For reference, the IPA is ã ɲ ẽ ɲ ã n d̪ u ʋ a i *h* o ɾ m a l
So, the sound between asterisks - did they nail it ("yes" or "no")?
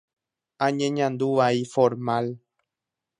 no